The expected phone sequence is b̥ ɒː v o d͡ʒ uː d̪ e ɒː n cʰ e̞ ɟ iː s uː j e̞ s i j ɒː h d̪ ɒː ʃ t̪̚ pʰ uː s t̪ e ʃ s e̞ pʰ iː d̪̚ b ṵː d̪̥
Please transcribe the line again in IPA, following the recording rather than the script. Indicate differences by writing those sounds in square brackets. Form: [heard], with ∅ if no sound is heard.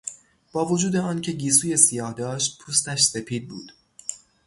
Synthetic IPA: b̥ ɒː v o d͡ʒ uː d̪ e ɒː n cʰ e̞ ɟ iː s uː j e̞ s i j ɒː h d̪ ɒː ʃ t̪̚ pʰ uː s t̪ [æ] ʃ s e̞ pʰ iː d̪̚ b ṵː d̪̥